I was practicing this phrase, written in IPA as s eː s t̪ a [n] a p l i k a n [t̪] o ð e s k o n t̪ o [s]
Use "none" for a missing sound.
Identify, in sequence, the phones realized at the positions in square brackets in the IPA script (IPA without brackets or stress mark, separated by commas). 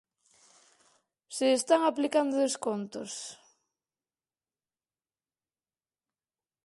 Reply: ŋ, d̪, s